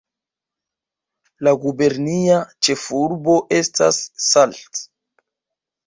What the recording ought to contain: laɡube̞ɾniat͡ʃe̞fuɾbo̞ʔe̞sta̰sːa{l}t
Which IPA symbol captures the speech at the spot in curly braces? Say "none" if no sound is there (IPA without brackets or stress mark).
l